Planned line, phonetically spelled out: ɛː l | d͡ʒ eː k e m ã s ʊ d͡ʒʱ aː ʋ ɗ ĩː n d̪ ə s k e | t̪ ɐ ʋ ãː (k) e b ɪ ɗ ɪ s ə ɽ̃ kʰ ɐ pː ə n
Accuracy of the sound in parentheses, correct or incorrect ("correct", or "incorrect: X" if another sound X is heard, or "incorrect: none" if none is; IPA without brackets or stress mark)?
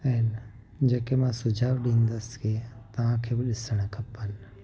incorrect: kʰ